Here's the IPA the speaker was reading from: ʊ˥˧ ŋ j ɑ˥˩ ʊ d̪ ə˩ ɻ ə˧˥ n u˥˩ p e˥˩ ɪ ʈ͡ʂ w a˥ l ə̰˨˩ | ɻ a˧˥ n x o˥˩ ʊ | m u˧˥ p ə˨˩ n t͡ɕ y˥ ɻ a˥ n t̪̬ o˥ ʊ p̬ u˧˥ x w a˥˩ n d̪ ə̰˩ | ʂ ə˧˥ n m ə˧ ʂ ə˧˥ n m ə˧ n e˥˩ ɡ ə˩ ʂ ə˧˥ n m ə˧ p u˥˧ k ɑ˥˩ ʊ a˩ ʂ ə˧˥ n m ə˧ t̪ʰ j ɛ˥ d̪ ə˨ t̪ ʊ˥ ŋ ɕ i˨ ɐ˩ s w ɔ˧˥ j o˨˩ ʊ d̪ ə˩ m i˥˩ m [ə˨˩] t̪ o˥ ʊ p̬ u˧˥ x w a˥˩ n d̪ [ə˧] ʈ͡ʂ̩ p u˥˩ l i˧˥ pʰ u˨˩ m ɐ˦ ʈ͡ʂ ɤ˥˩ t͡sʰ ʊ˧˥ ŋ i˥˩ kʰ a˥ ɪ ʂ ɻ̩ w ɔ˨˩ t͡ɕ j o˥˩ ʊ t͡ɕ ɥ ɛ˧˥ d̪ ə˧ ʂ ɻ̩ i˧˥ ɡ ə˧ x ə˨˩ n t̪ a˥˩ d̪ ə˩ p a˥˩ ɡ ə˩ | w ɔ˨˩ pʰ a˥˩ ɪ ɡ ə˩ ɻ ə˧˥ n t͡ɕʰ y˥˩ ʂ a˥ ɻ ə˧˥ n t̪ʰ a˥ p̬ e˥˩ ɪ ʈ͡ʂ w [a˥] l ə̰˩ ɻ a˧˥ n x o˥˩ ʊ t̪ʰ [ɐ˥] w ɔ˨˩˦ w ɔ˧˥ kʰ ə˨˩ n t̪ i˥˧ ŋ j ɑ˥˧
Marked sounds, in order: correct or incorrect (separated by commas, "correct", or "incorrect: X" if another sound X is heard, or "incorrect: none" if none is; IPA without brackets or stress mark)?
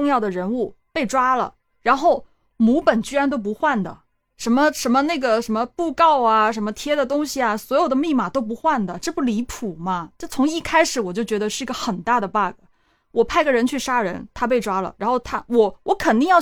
incorrect: a˨˩, incorrect: ə˩, correct, incorrect: a˥